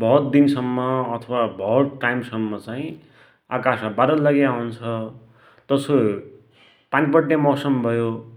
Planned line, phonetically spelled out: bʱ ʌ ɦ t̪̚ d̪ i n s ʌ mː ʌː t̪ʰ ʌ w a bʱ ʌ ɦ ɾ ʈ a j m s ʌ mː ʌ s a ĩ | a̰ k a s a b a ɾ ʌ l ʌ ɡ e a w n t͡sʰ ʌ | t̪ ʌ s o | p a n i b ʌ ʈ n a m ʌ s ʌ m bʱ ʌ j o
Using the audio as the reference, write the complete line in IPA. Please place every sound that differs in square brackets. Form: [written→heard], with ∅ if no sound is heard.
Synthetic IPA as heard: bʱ ʌ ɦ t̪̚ d̪ i n s ʌ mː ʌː t̪ʰ ʌ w a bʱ ʌ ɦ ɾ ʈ a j m s ʌ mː ʌ [s→t͡s] a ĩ | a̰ k a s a b a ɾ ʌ l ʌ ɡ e a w n t͡sʰ ʌ | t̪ ʌ s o | p a n i [b→p] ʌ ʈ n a m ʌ s ʌ m bʱ ʌ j o

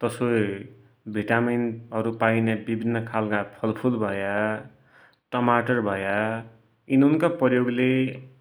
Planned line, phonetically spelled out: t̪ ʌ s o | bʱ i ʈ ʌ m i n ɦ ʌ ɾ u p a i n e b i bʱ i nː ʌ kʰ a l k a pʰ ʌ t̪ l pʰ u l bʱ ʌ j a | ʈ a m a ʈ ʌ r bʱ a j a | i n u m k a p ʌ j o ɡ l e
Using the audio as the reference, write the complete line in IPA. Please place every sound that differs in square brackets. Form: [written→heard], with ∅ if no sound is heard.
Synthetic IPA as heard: t̪ ʌ s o | bʱ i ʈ [ʌ→a] m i n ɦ ʌ ɾ u p a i n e b i bʱ i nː ʌ kʰ a l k a pʰ ʌ [t̪→∅] l pʰ u l bʱ ʌ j a | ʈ [a→ʌ] m a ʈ ʌ r bʱ [a→ʌ] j a | i n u [m→n] k a p ʌ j o ɡ l e

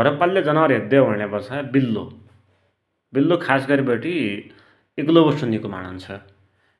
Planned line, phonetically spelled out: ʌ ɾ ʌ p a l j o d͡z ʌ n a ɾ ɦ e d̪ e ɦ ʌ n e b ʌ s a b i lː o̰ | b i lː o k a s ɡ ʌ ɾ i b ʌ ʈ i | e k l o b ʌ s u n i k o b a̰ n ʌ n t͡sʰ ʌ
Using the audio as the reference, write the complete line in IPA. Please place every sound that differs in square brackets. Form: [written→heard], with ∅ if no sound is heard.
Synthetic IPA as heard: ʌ ɾ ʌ p a l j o d͡z ʌ n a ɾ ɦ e d̪ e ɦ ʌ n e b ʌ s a b i lː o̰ | b i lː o [k→kʰ] a s ɡ ʌ ɾ i b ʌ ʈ i | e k l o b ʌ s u n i k o [b→m] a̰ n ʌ n t͡sʰ ʌ

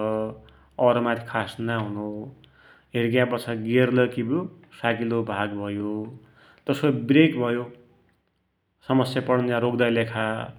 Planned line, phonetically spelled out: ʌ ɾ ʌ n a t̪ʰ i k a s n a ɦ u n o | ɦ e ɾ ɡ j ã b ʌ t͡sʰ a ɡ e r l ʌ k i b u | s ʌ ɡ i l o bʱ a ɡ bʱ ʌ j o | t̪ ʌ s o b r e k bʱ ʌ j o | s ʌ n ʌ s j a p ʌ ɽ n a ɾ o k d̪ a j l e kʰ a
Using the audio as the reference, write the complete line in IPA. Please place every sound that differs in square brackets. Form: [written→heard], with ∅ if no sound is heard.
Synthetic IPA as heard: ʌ ɾ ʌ [n→m] a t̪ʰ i [k→kʰ] a s n a ɦ u n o | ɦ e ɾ ɡ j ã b ʌ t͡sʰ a ɡ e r l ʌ k i b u | s [ʌ→a] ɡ i l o bʱ a ɡ bʱ ʌ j o | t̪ ʌ s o b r e k bʱ ʌ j o | s ʌ [n→m] ʌ s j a p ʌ ɽ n a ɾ o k d̪ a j l e kʰ a

